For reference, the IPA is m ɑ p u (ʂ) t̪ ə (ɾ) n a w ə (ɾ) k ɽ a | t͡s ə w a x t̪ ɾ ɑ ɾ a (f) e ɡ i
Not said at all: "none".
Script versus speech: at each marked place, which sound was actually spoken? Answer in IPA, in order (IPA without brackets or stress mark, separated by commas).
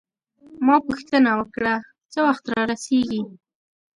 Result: x, none, none, s